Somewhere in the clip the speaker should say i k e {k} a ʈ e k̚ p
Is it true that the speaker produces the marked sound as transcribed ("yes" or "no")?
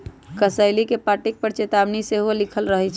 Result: no